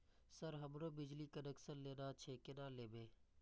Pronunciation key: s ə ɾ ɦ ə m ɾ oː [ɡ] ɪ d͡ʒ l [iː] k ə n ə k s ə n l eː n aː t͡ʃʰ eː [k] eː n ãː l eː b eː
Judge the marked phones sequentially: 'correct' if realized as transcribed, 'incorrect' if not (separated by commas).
incorrect, correct, correct